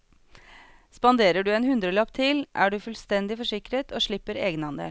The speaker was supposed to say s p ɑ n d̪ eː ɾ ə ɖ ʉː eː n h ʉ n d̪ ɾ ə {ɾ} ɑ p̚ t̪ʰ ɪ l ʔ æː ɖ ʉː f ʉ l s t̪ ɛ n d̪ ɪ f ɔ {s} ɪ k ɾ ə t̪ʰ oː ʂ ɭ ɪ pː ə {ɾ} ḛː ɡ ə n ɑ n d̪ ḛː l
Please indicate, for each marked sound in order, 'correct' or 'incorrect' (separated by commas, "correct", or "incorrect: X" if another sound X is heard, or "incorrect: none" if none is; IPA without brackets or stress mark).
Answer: incorrect: l, incorrect: ʂ, correct